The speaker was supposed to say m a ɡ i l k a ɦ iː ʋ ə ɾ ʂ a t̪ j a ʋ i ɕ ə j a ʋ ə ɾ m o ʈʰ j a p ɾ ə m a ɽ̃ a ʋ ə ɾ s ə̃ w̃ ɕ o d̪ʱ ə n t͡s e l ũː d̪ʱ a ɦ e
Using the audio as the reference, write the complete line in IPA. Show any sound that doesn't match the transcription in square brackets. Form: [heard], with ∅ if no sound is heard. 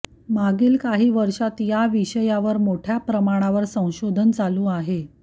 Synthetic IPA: m a ɡ [iː] l k a ɦ iː ʋ ə ɾ ʂ a t̪ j a ʋ i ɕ ə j a ʋ ə ɾ m o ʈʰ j a p ɾ ə m a ɽ̃ a ʋ ə ɾ s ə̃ w̃ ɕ o d̪ʱ ə n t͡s [a] l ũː [∅] a ɦ e